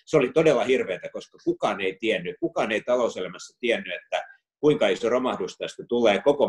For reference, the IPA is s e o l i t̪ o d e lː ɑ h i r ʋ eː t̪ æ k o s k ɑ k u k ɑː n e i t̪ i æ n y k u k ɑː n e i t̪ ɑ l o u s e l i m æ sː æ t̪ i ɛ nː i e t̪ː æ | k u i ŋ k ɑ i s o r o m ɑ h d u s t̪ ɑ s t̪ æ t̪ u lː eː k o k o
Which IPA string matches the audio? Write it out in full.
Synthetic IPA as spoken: s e o l i t̪ o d e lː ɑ h i r ʋ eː t̪ æ k o s k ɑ k u k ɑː n e i t̪ i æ nː y k u k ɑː n e i t̪ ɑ l o u s e l æ m æ sː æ t̪ i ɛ nː y e t̪ː æ | k u i ŋ k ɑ i s o r o m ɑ h d u s t̪ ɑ s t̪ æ t̪ u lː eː k o k o